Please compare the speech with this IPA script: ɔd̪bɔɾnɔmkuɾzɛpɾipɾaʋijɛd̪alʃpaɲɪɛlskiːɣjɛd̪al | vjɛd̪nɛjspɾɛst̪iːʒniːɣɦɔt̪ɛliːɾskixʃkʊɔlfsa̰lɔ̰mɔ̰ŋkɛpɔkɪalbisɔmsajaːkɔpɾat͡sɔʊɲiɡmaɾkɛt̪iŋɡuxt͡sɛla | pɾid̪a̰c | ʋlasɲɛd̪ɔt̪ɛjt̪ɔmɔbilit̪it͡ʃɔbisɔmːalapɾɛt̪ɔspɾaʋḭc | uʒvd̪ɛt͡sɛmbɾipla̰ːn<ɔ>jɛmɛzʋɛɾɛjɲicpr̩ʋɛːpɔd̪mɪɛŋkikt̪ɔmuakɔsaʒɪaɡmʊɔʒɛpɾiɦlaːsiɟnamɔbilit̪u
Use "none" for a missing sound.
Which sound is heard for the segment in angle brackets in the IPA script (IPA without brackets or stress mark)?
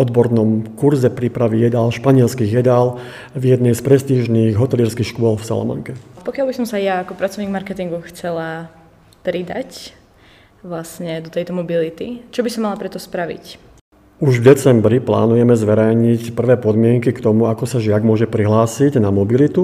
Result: u